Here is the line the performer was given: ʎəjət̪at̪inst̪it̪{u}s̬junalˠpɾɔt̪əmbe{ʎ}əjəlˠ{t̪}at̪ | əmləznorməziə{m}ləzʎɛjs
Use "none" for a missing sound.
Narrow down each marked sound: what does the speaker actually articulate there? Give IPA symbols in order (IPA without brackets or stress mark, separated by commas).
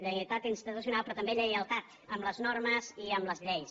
u, ʎ, t̪, m